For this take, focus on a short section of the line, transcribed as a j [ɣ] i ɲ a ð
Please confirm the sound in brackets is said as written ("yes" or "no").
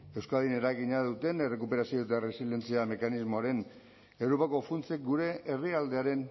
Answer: yes